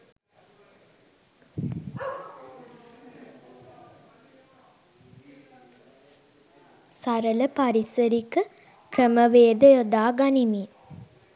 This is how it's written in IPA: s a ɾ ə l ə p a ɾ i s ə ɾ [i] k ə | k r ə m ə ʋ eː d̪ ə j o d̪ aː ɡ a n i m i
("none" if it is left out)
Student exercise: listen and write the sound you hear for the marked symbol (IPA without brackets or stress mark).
i